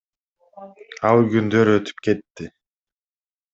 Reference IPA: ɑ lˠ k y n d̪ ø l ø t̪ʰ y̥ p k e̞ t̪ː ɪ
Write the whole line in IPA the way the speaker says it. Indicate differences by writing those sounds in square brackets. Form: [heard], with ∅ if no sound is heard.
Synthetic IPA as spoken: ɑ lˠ [ɡ] y n d̪ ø [ɾ] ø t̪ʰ y̥ p k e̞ t̪ː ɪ

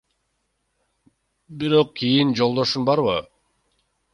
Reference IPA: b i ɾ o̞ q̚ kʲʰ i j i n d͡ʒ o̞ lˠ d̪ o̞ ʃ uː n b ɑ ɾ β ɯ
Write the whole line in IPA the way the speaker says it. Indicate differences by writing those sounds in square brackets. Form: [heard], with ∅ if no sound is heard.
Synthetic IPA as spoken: b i ɾ o̞ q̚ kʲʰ i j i n d͡ʒ o̞ lˠ d̪ o̞ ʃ [u] n b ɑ ɾ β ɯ

